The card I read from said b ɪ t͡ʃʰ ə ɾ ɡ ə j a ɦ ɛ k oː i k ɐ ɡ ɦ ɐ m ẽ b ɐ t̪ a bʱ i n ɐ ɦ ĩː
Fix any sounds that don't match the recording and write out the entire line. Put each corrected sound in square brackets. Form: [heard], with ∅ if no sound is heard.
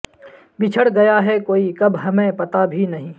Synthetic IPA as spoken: b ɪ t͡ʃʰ ə [ɽ] ɡ [ɐ] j a ɦ ɛ k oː i k ɐ [b] ɦ ɐ m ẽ [p] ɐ t̪ a bʱ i n ɐ ɦ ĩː

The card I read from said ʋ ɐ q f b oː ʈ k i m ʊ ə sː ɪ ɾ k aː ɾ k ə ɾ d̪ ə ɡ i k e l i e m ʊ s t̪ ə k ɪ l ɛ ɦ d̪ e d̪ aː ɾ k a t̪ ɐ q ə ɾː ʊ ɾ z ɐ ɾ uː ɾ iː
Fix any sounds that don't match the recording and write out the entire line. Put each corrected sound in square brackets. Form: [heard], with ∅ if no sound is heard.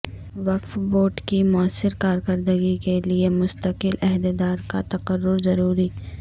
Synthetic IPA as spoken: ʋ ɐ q f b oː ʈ k i m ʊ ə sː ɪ ɾ k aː ɾ k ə ɾ d̪ ə ɡ i k e l i e m ʊ s t̪ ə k ɪ l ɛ ɦ d̪ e d̪ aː ɾ k a t̪ ɐ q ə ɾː ʊ ɾ z ɐ ɾ uː ɾ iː

